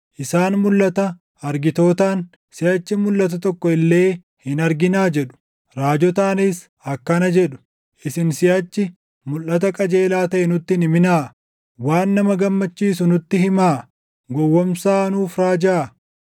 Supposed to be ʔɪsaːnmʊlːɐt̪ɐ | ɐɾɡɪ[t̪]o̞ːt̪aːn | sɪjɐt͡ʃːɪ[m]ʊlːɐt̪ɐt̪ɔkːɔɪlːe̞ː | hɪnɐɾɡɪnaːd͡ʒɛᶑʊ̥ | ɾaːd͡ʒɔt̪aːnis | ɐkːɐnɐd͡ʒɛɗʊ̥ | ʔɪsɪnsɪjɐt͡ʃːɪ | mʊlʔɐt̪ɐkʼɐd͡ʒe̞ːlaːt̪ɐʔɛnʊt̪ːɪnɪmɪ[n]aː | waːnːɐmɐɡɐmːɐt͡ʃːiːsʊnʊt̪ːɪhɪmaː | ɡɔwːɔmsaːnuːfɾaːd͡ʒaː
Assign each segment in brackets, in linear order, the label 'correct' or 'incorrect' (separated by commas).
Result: correct, correct, correct